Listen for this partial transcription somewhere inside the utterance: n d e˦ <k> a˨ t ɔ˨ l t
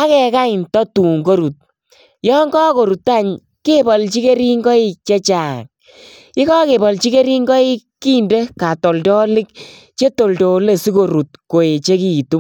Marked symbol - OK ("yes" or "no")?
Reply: yes